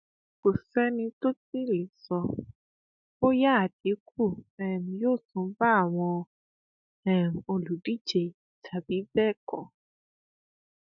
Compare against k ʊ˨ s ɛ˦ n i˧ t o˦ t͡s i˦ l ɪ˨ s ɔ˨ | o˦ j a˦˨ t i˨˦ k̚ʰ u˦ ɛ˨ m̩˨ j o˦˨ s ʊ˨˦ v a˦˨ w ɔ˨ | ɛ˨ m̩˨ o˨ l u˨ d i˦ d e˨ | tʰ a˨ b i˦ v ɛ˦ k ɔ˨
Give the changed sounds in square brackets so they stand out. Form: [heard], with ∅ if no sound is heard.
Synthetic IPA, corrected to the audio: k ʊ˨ s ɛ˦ n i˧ t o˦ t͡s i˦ l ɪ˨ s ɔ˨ | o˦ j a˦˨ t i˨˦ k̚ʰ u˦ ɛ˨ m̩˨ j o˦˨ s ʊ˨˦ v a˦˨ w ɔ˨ | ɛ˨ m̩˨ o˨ l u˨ d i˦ [d͡ʒ] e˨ | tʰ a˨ b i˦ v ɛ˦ k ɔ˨